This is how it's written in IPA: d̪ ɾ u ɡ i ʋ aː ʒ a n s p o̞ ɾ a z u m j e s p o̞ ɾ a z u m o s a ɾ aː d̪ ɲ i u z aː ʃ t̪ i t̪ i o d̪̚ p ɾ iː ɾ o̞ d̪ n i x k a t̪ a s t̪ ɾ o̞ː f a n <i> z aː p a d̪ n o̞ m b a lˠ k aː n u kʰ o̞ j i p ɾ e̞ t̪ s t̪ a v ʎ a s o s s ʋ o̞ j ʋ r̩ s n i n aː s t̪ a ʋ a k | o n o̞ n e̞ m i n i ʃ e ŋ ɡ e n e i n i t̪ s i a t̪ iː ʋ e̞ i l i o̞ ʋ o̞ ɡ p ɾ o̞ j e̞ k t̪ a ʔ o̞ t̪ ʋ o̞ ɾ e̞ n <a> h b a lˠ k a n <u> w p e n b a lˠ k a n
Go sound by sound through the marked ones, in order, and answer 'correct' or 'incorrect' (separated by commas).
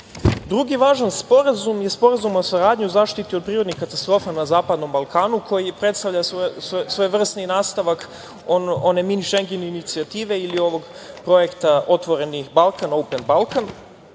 incorrect, incorrect, incorrect